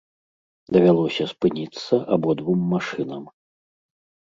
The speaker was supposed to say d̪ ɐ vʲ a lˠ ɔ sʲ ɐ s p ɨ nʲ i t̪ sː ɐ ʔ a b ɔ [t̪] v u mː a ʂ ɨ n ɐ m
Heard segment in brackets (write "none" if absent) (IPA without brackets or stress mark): d̪